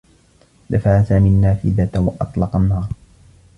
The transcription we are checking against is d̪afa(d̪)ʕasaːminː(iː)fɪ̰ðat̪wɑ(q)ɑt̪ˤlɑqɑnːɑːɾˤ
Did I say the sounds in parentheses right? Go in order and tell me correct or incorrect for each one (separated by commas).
incorrect, incorrect, incorrect